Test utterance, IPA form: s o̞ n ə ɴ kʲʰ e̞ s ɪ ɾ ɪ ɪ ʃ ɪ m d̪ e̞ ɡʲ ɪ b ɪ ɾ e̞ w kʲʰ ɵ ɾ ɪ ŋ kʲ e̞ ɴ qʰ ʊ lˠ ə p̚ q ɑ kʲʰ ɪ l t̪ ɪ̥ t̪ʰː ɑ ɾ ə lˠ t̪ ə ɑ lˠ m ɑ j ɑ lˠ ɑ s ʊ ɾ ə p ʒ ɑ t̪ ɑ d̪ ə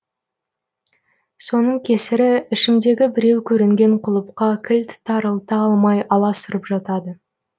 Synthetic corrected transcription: s o̞ n ə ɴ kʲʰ e̞ s ɪ ɾ ɪ ɪ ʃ ɪ m d̪ e̞ ɡʲ ɪ b ɪ ɾ e̞ w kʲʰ ɵ ɾ ɪ ŋ ɡʲ e̞ ɴ qʰ ʊ lˠ ə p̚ q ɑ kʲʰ ɪ l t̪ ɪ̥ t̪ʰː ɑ ɾ ə lˠ t̪ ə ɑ lˠ m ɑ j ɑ lˠ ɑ s ʊ ɾ ə p ʒ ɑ t̪ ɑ d̪ ə